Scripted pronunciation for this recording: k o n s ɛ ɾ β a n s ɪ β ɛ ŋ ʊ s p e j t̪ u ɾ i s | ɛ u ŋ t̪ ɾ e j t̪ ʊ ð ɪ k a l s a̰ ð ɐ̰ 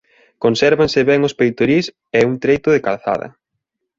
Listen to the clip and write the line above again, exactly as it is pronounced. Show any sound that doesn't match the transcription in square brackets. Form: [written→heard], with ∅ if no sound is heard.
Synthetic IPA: k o n s ɛ ɾ β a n s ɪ β ɛ ŋ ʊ s p e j t̪ [u→o] ɾ i s | ɛ u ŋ t̪ ɾ e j t̪ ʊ ð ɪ k a l [s→θ] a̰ ð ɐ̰